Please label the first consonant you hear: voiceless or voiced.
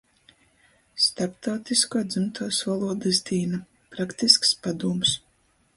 voiceless